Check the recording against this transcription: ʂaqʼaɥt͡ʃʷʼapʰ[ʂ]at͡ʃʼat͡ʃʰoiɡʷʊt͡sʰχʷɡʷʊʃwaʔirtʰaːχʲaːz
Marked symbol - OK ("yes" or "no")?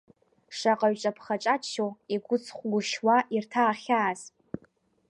no